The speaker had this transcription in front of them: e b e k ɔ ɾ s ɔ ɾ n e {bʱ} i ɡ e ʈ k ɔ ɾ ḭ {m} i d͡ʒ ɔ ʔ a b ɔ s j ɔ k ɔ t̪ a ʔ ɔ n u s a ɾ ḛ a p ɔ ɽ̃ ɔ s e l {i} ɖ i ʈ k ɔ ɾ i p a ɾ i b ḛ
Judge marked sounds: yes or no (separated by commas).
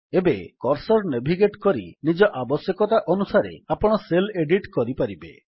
yes, no, no